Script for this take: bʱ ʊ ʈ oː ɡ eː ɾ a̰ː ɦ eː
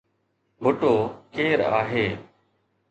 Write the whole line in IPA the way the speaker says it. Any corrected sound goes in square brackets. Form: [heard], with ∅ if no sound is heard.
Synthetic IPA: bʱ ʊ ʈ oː [k] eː ɾ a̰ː ɦ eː